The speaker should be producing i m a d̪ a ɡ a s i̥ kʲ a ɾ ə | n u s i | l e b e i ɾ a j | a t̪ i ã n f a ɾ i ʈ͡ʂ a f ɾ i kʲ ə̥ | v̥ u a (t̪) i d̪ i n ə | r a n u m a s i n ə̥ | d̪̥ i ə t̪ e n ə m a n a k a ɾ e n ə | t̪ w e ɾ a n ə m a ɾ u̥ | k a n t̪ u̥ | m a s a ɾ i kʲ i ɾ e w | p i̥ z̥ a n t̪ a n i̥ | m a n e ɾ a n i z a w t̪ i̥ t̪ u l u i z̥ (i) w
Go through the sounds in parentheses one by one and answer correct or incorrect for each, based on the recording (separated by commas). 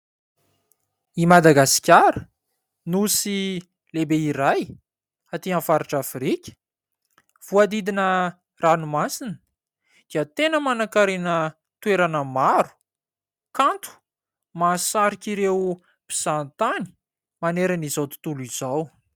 incorrect, incorrect